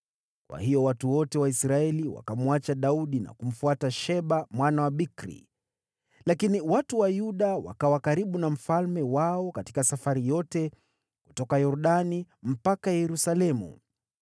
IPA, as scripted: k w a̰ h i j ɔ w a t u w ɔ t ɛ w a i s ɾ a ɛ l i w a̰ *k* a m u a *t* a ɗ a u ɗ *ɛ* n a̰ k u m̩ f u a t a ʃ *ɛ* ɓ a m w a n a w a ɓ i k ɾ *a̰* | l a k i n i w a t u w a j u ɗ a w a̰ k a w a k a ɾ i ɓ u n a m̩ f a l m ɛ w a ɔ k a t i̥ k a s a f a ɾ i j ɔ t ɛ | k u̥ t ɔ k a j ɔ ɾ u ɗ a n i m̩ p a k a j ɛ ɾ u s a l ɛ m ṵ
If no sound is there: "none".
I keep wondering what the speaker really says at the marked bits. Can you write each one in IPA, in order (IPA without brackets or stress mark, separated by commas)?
k, t͡ʃ, i, ɛ, ḭ